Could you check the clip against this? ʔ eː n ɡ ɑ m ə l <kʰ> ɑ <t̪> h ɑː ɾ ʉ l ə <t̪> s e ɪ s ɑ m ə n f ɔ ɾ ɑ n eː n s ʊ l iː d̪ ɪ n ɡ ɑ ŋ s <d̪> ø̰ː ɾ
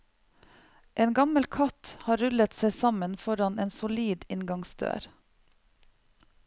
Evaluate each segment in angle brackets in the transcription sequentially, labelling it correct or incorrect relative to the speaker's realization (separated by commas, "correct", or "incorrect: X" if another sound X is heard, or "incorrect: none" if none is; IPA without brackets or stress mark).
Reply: correct, correct, correct, correct